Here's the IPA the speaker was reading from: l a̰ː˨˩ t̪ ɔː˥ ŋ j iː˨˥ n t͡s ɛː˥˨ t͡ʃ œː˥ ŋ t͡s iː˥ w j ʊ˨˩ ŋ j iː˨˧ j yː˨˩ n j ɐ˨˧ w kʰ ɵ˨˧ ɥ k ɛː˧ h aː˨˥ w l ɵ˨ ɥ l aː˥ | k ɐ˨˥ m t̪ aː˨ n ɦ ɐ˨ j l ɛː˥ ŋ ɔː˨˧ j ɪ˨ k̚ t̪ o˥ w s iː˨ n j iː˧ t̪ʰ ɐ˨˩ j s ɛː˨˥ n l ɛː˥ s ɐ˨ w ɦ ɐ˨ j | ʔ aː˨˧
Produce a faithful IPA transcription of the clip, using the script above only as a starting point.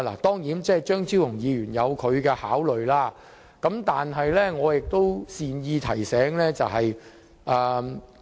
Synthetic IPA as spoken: l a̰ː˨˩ t̪ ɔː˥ ŋ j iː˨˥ n t͡s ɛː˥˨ t͡ʃ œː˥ ŋ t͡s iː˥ w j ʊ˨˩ ŋ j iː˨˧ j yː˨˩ n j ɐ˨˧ w kʰ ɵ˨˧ ɥ k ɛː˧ h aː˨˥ w l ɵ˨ ɥ l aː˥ | k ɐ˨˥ m t̪ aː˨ n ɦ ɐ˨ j l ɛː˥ ŋ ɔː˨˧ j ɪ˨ k̚ t̪ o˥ w s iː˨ n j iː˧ t̪ʰ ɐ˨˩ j s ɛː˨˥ ŋ l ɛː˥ t͡s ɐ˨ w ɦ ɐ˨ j | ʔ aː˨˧